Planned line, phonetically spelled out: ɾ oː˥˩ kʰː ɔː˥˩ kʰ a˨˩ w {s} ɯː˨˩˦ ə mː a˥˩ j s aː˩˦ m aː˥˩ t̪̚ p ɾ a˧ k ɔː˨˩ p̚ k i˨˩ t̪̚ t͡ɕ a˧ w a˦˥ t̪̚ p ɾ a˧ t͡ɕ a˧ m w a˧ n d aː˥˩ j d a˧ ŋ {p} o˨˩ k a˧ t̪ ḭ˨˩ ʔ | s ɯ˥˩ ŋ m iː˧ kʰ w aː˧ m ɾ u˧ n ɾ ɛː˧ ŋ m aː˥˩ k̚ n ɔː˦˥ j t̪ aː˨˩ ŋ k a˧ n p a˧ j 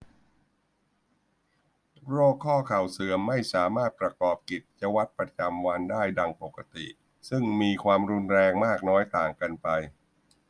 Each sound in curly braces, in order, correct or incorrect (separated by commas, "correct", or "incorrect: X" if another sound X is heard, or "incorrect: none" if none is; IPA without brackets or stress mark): correct, correct